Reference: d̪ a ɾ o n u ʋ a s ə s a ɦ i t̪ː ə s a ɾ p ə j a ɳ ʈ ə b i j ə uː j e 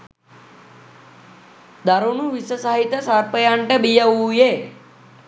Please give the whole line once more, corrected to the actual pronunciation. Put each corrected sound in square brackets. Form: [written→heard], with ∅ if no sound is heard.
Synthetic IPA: d̪ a ɾ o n u ʋ [a→i] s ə s a ɦ i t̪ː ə s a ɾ p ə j a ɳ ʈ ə b i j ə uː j e